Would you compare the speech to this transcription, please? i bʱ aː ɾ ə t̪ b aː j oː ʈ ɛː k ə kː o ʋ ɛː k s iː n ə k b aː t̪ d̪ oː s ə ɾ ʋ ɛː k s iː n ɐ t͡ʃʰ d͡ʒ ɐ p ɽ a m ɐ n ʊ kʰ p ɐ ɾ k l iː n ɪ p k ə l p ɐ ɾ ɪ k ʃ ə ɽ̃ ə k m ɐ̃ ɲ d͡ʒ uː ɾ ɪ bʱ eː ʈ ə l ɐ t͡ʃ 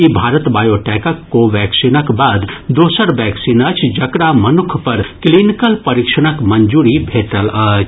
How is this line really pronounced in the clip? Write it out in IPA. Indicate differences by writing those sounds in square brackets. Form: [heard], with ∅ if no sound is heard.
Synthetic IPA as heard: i bʱ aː ɾ ə t̪ b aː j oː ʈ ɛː k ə kː o ʋ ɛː k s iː n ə k b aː [d̪] d̪ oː s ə ɾ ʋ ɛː k s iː n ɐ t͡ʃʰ d͡ʒ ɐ [k] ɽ a m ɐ n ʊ kʰ p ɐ ɾ k l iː n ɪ [∅] k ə l p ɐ ɾ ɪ k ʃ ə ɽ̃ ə k m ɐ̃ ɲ d͡ʒ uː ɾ [i] bʱ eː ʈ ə l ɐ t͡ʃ